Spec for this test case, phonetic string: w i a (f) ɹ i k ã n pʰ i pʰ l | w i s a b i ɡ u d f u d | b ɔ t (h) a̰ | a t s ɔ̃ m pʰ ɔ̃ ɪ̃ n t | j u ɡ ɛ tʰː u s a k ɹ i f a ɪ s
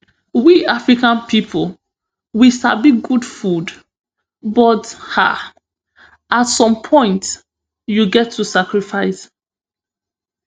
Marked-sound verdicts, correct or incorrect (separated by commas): correct, correct